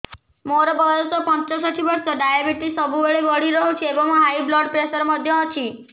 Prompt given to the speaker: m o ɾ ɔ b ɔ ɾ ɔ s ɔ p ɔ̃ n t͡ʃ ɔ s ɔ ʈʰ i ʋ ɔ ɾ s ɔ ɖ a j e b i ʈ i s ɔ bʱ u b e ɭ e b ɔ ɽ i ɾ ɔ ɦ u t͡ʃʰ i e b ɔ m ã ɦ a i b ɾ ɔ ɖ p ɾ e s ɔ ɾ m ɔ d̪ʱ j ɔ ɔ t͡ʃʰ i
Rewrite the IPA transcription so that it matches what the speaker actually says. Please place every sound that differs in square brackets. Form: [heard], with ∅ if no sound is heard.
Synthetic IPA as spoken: m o ɾ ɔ b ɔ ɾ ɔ s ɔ p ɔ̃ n t͡ʃ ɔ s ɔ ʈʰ i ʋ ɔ ɾ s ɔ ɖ a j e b i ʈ i s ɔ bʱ u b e ɭ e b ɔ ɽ i ɾ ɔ ɦ u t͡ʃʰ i e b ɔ m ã ɦ a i b [l] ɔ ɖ p ɾ e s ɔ ɾ m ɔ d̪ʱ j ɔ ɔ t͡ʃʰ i